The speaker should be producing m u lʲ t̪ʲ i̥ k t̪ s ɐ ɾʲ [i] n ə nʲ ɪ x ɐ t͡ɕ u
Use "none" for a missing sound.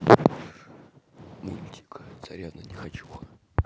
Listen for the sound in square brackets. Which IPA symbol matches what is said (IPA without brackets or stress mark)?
a